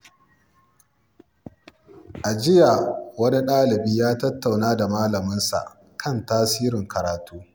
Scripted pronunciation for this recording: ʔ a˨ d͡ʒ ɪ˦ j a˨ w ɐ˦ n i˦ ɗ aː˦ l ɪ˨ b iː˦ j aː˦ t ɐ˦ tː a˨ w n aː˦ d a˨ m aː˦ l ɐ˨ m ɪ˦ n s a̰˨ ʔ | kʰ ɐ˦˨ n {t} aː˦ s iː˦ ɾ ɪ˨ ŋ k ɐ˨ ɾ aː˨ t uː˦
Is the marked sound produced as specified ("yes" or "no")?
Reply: yes